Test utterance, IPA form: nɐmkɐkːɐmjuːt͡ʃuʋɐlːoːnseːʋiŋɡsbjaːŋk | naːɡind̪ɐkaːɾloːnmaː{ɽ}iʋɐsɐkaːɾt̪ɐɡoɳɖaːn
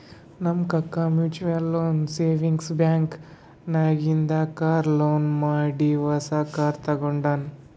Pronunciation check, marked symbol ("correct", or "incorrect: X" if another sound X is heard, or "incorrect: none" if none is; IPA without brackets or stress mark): correct